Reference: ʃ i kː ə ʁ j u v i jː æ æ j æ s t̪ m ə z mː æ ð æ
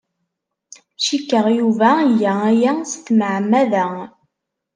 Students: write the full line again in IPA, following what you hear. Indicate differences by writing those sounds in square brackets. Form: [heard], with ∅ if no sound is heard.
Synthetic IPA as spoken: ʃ i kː ə ʁ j u v [æ] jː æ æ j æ s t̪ m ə [ʕ] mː æ ð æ

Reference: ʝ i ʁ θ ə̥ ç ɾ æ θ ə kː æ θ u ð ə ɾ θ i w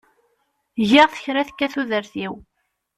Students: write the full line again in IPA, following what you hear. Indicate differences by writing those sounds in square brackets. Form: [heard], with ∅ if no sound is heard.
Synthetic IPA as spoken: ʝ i ʁ θ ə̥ ç ɾ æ θ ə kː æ θ u ð ə ɾ θ i w

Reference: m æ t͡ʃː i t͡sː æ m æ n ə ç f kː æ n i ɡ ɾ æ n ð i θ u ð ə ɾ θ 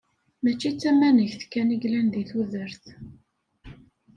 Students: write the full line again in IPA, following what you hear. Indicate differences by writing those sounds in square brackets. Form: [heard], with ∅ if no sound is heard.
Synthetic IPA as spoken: m æ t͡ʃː i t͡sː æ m æ n ə ç [θ] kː æ n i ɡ [l] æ n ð i θ u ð ə ɾ θ

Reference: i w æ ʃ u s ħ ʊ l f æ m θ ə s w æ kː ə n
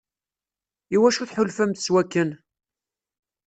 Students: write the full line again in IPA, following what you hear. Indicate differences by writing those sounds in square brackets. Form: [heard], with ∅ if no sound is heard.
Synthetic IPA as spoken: i w æ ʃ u [θ] ħ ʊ l f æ m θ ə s w æ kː ə n

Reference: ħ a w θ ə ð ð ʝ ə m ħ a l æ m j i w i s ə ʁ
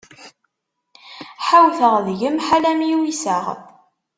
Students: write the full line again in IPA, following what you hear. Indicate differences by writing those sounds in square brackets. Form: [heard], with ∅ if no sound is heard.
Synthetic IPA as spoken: ħ a w θ ə [ʁ] ð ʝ ə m ħ a l æ m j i w i s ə ʁ

